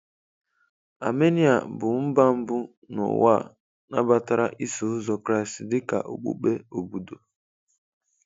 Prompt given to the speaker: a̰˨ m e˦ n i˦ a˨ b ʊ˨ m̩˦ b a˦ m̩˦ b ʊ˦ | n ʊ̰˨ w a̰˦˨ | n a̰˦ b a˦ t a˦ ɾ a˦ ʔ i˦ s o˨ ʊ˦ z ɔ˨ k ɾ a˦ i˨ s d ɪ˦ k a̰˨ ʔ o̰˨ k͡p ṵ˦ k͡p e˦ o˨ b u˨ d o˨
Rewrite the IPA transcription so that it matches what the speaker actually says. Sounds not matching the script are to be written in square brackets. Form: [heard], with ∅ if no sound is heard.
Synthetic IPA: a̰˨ m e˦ n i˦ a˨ b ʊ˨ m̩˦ b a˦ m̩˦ b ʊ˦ | n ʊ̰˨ w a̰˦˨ | n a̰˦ b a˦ t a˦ ɾ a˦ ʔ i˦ s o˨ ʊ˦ z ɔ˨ k ɾ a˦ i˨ s d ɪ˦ k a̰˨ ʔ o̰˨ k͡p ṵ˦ k͡p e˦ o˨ b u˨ d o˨